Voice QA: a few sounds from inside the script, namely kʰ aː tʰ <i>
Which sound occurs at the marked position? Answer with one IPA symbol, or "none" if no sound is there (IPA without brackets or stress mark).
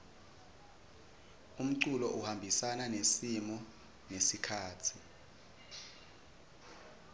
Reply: i